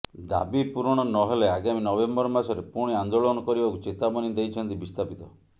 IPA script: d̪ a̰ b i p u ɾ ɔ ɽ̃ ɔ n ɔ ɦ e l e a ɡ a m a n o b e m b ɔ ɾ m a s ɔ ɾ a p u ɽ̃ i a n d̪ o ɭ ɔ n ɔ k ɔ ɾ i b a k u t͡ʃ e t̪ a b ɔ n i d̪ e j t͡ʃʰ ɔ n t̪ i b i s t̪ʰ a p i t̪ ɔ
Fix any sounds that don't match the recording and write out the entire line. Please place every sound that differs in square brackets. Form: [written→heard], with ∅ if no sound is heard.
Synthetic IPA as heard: d̪ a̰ b i p u ɾ ɔ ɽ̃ ɔ n ɔ ɦ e l e a ɡ a m [a→i] n [o→ɔ] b e m b ɔ ɾ m a s ɔ ɾ [a→e] p u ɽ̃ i a n d̪ o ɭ ɔ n ɔ k ɔ ɾ i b a k u t͡ʃ e t̪ a b ɔ n i d̪ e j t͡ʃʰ ɔ n t̪ i b i s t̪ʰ a p i t̪ ɔ